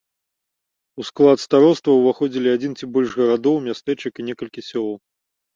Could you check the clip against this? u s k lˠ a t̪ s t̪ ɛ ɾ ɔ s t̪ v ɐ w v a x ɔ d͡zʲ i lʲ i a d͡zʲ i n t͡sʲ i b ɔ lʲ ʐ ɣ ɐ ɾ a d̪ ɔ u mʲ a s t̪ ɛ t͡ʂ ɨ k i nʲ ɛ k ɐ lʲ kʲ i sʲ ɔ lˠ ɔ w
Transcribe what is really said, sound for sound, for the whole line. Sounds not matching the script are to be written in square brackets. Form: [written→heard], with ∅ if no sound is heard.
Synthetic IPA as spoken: u s k lˠ a t̪ s t̪ [ɛ→a] ɾ ɔ s t̪ v ɐ w v a x ɔ d͡zʲ i lʲ i a d͡zʲ i n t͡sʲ i b ɔ lʲ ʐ ɣ ɐ ɾ a d̪ ɔ [u→w] mʲ a s t̪ ɛ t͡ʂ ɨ k i nʲ ɛ k ɐ lʲ kʲ i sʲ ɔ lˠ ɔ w